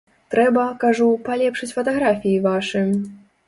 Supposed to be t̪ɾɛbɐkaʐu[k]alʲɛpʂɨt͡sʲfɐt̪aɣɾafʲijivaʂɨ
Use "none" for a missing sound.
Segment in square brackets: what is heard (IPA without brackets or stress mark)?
p